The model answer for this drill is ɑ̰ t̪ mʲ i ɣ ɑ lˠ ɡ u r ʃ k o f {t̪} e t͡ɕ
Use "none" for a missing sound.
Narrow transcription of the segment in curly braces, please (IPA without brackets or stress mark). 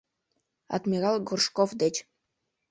d̪